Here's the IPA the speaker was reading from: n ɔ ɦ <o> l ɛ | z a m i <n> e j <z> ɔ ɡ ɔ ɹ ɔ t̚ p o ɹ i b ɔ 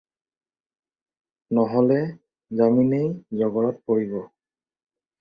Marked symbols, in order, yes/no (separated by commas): no, yes, yes